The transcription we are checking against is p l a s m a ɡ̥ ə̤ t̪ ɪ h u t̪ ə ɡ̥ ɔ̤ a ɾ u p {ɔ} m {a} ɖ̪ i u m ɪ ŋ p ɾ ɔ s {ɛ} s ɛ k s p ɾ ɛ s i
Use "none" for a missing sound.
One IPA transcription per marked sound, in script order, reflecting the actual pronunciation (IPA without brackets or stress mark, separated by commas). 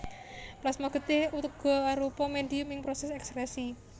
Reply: ɔ, e, ɛ